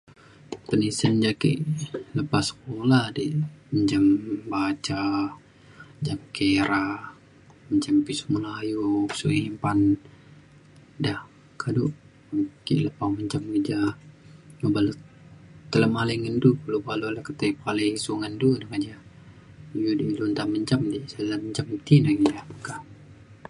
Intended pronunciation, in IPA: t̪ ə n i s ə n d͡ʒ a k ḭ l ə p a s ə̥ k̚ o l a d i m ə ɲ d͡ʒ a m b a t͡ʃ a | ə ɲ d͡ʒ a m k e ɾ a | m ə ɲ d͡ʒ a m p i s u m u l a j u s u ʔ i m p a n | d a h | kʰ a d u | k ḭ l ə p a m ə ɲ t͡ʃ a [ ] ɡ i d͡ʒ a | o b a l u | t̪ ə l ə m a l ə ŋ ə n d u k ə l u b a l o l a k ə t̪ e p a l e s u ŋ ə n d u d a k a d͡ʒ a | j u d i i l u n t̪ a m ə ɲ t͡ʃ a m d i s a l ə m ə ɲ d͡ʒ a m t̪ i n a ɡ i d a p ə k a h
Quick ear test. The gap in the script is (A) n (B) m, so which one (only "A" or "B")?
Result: B